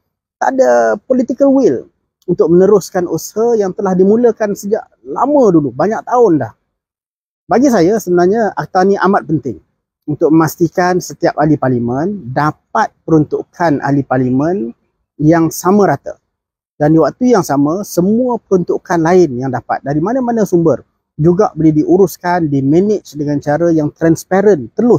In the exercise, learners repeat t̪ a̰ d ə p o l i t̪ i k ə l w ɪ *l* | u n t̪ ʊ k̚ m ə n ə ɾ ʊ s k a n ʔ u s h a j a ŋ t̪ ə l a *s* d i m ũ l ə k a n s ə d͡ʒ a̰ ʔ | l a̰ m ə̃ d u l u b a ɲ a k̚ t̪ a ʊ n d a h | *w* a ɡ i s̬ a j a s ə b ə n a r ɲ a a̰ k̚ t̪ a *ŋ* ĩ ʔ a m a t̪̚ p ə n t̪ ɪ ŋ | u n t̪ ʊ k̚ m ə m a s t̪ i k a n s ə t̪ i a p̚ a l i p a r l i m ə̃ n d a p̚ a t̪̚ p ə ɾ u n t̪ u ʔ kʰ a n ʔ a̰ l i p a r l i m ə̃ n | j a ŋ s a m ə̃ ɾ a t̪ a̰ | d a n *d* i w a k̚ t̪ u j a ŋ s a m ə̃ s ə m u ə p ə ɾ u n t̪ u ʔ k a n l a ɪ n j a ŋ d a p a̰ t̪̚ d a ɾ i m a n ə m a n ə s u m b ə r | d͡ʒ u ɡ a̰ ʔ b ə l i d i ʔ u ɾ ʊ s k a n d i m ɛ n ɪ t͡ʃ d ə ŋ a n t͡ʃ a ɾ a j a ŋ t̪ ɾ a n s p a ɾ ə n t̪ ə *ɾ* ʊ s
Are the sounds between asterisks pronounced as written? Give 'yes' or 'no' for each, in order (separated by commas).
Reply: yes, no, no, no, yes, no